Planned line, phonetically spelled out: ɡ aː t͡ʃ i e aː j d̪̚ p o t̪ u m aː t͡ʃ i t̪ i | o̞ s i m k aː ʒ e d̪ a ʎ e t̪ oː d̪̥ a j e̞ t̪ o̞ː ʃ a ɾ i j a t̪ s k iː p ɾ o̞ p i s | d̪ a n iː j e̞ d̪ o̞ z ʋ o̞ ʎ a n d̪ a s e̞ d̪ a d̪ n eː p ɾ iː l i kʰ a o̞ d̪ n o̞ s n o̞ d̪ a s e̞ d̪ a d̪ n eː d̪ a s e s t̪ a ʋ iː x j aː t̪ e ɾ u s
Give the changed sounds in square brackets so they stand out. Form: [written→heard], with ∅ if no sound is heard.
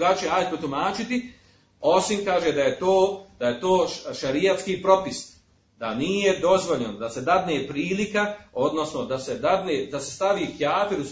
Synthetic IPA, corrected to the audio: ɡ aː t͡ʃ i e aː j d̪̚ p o t̪ u m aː t͡ʃ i t̪ i | o̞ s i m k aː ʒ e d̪ a [ʎ→j] e t̪ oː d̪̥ a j e̞ t̪ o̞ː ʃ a ɾ i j a t̪ s k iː p ɾ o̞ p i s | d̪ a n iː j e̞ d̪ o̞ z ʋ o̞ ʎ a n d̪ a s e̞ d̪ a d̪ n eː p ɾ iː l i [kʰ→k] a o̞ d̪ n o̞ s n o̞ d̪ a s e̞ d̪ a d̪ n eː d̪ a s e s t̪ a ʋ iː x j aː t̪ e ɾ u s